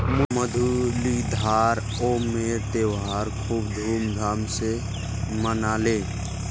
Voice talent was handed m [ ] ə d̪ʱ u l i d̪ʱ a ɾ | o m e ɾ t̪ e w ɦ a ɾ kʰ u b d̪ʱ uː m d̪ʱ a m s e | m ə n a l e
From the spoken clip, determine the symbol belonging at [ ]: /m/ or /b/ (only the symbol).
m